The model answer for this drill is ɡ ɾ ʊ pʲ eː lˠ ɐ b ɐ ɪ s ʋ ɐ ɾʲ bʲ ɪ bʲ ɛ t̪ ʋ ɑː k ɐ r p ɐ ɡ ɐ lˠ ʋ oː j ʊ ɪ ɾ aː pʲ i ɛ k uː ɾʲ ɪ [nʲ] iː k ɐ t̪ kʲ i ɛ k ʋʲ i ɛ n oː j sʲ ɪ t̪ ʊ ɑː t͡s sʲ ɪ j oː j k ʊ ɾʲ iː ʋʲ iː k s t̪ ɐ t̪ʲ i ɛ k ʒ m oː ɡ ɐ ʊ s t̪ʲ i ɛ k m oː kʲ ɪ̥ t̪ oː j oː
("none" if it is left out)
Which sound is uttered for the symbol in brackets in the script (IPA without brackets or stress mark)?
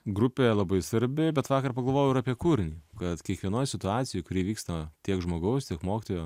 nʲ